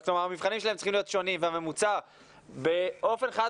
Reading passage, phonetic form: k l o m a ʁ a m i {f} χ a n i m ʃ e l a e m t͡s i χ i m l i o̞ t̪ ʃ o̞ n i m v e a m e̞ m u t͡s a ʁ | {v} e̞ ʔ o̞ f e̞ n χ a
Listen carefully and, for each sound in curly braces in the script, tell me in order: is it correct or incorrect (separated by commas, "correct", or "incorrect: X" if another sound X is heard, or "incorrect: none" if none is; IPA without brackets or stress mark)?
incorrect: v, incorrect: b